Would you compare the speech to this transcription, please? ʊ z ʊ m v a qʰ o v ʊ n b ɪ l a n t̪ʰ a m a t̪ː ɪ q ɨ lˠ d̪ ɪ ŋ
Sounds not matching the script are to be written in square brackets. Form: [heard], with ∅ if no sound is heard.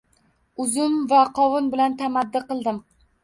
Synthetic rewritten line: ʊ z ʊ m v a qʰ [ɒ] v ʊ n b ɪ l a n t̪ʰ a m a [d̪ː] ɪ q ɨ lˠ d̪ ɪ [m]